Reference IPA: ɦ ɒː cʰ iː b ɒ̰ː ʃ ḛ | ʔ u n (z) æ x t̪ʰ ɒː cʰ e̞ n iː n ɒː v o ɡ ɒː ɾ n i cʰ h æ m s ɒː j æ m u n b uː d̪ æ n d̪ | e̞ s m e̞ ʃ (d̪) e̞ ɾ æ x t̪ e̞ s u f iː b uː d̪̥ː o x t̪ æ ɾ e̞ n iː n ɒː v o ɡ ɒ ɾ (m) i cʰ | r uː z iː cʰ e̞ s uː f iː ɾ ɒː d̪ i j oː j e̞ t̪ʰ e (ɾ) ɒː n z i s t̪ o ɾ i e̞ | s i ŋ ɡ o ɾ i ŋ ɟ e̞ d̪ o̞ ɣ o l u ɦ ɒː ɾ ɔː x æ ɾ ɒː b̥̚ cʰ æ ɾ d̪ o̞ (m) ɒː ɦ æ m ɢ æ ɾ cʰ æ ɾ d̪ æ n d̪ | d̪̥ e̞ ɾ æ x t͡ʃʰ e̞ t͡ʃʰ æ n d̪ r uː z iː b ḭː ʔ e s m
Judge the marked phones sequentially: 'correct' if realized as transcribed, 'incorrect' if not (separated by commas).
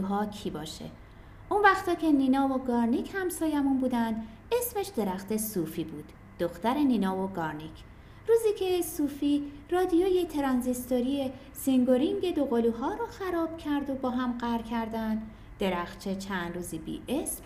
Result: incorrect, correct, incorrect, correct, incorrect